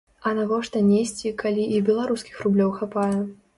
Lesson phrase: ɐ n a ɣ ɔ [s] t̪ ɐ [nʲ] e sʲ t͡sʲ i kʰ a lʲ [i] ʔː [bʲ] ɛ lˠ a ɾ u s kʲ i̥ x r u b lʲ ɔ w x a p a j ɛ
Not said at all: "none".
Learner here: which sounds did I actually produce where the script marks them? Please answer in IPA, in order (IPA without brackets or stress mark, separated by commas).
ʂ, nʲ, i, bʲ